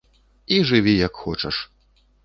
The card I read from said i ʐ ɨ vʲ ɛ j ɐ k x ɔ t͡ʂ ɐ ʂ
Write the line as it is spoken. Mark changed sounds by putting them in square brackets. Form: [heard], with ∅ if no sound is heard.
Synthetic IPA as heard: i ʐ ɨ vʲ [i] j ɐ k x ɔ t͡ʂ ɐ ʂ